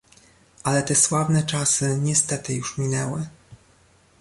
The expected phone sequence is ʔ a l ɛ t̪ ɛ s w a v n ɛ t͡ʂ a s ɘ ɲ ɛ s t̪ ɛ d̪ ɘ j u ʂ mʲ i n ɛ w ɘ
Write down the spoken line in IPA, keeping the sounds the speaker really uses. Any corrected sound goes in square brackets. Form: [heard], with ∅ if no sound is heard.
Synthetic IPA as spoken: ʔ a l ɛ t̪ ɛ s w a v n ɛ t͡ʂ a s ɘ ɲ ɛ s t̪ ɛ [t̪] ɘ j u ʂ mʲ i n ɛ w ɘ

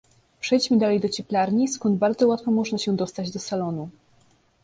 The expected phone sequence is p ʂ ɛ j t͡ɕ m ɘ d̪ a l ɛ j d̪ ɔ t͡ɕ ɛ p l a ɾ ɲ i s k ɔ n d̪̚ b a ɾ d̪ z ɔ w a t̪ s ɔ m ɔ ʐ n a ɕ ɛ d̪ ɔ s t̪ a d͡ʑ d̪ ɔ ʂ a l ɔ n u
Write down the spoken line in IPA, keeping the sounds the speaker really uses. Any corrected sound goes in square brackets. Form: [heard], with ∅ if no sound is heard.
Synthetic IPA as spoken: p ʂ ɛ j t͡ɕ m ɘ d̪ a l ɛ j d̪ ɔ t͡ɕ ɛ p l a ɾ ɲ i s k ɔ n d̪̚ b a ɾ d̪ z ɔ w a t̪ [f] ɔ m ɔ ʐ n a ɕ ɛ d̪ ɔ s t̪ a d͡ʑ d̪ ɔ [s] a l ɔ n u

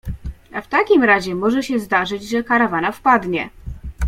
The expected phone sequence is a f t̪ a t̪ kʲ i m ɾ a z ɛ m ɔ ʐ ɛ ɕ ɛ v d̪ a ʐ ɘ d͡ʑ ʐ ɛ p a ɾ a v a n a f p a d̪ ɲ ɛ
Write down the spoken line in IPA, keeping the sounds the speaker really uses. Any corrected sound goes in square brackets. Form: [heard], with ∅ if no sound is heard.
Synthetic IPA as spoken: a f t̪ a [∅] kʲ i m ɾ a [ʑ] ɛ m ɔ ʐ ɛ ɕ ɛ [z] d̪ a ʐ ɘ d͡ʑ ʐ ɛ [k] a ɾ a v a n a f p a d̪ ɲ ɛ

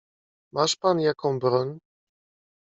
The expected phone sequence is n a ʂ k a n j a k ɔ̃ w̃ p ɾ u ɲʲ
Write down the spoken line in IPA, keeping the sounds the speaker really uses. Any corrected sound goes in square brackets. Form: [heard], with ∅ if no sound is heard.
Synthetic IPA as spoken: [m] a ʂ [p] a n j a k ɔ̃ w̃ [b] ɾ [ɔ] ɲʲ

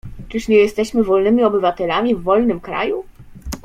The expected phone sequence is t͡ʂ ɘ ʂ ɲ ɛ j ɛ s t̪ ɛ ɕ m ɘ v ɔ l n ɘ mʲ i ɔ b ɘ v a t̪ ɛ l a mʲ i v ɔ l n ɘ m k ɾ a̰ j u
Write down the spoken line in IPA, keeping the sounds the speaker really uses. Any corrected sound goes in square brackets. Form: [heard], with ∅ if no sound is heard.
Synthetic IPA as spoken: t͡ʂ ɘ ʂ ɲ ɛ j ɛ s t̪ ɛ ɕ m ɘ v ɔ l n ɘ mʲ i ɔ b ɘ v a t̪ ɛ l a mʲ i [vː] ɔ l n ɘ m k ɾ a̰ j u

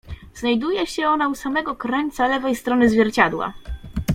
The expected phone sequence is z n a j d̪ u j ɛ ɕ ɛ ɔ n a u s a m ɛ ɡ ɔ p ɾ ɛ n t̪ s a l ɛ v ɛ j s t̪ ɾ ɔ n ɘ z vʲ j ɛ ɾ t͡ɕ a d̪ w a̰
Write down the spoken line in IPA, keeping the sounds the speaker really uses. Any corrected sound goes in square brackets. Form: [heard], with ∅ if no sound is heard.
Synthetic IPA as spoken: z n a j d̪ u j ɛ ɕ ɛ ɔ n a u s a m ɛ ɡ ɔ [k] ɾ ɛ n t̪ s a l ɛ v ɛ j s t̪ ɾ ɔ n ɘ z vʲ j ɛ ɾ t͡ɕ a d̪ w a̰

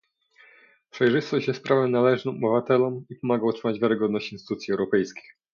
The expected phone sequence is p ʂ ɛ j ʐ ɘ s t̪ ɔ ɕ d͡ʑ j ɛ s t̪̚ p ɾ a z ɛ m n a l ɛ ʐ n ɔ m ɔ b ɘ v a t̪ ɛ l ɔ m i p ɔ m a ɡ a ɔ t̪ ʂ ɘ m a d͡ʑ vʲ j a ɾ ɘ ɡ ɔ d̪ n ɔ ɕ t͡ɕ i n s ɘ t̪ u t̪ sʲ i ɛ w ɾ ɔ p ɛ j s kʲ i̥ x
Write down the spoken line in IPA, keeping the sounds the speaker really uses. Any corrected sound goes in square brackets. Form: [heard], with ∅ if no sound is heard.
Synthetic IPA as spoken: p ʂ ɛ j ʐ ɘ s t̪ ɔ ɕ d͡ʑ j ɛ s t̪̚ p ɾ a [v] ɛ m n a l ɛ ʐ n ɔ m ɔ b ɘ v a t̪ ɛ l ɔ m i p ɔ m a ɡ a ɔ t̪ ʂ ɘ m a d͡ʑ vʲ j a ɾ ɘ ɡ ɔ d̪ n ɔ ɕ t͡ɕ i n s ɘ t̪ u t̪ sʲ i ɛ w ɾ ɔ p ɛ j s kʲ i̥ x

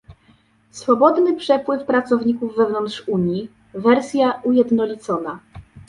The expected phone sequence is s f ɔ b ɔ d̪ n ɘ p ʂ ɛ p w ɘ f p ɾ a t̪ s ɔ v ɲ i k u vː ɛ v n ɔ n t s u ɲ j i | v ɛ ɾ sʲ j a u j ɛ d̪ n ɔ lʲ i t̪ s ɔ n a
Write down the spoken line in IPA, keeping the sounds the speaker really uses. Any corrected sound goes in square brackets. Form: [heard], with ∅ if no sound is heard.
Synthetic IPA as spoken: s f ɔ b ɔ d̪ n ɘ p ʂ ɛ p w ɘ f p ɾ a t̪ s ɔ v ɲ i k u vː ɛ v n ɔ n t [ʂ] u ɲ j i | v ɛ ɾ sʲ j a u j ɛ d̪ n ɔ lʲ i t̪ s ɔ n a

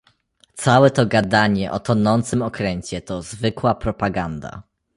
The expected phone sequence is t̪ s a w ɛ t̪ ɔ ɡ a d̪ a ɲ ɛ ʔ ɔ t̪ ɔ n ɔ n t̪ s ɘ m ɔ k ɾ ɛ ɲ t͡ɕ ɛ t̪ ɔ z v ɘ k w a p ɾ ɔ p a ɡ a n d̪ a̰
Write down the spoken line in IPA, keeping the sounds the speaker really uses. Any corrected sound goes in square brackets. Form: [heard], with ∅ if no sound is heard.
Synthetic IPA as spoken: t̪ s a w ɛ t̪ ɔ ɡ a d̪ a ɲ ɛ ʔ ɔ t̪ ɔ n ɔ n t̪ s ɘ m ɔ k ɾ ɛ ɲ t͡ɕ ɛ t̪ ɔ z v ɘ k w a p ɾ ɔ p a ɡ a n d̪ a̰

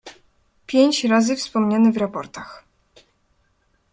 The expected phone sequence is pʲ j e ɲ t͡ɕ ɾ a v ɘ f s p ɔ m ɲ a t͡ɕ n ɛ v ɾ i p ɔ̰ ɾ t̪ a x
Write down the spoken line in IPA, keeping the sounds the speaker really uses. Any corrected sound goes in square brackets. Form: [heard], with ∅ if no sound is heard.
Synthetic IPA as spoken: pʲ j e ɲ t͡ɕ ɾ a [z] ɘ f s p ɔ m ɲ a [∅] n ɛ v ɾ [a] p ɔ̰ ɾ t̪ a x

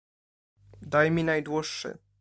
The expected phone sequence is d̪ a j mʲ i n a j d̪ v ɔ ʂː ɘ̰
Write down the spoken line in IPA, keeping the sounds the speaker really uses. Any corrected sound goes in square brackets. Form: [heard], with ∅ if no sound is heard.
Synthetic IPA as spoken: d̪ a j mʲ i n a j d̪ [w] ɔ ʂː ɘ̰

